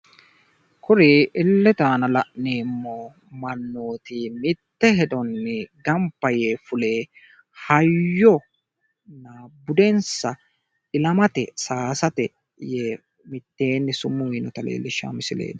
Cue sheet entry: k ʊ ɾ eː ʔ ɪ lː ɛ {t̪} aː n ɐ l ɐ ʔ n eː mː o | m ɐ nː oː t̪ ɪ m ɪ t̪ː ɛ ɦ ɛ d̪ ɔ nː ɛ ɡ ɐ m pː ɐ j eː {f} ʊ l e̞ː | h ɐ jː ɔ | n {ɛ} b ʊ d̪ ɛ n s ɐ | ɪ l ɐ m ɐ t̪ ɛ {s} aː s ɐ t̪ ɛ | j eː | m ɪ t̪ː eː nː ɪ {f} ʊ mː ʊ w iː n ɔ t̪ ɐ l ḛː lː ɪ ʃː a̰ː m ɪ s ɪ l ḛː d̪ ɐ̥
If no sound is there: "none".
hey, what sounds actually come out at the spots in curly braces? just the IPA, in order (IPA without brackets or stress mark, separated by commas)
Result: t̪, f, a, s, s